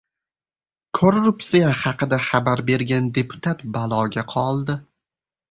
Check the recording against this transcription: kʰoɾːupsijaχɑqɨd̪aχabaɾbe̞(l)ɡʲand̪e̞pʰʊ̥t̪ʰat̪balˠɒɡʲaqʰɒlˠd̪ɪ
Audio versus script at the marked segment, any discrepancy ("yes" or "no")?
yes